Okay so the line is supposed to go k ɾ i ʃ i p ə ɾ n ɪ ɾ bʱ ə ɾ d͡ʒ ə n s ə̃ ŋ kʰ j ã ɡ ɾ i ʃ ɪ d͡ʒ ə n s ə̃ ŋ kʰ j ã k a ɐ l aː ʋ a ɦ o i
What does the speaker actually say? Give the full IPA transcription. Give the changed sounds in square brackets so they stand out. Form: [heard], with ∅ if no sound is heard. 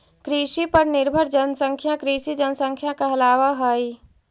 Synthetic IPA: k ɾ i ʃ i p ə ɾ n ɪ ɾ bʱ ə ɾ d͡ʒ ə n s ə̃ ŋ kʰ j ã [k] ɾ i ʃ [i] d͡ʒ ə n s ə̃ ŋ kʰ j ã k a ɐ l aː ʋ a ɦ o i